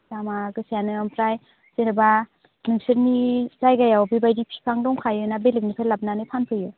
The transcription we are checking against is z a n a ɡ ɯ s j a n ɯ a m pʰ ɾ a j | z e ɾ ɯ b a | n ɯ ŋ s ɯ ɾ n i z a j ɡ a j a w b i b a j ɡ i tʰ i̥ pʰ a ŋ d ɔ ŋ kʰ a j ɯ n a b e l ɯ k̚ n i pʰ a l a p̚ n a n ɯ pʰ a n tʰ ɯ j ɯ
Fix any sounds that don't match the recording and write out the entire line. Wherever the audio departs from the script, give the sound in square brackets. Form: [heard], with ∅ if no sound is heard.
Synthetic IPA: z a [m] a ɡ ɯ s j a n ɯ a m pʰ ɾ a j | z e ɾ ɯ b a | n ɯ ŋ s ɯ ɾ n i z a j ɡ a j a w b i b a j [d] i [pʰ] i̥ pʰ a ŋ d ɔ ŋ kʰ a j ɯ n a b e l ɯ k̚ n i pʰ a l a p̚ n a n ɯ pʰ a n [pʰ] ɯ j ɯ

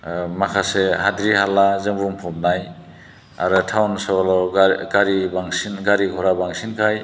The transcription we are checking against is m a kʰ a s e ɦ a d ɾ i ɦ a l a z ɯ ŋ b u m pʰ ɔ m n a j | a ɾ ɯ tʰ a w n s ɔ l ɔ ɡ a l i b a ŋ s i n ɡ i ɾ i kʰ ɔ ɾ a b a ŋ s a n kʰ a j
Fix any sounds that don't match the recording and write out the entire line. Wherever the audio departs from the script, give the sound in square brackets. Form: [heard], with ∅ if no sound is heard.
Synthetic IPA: m a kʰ a s e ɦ a d ɾ i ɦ a l a z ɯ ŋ b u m pʰ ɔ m n a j | a ɾ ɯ tʰ a w n s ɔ l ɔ ɡ a [ɾ] i b a ŋ s i n ɡ [a] ɾ i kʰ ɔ ɾ a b a ŋ s [i] n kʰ a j

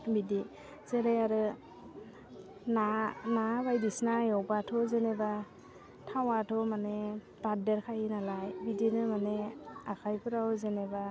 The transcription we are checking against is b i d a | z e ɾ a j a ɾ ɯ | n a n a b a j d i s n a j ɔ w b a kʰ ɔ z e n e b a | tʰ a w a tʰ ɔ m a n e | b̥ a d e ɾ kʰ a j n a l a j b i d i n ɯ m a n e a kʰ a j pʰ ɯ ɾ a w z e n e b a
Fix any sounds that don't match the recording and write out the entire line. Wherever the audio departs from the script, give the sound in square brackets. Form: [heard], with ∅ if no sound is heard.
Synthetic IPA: b i d [i] | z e ɾ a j a ɾ ɯ | n a n a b a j d i s n a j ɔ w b a [tʰ] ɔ z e n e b a | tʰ a w a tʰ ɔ m a n e | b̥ a d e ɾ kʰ a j n a l a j b i d i n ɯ m a n e a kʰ a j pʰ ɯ ɾ a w z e n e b a

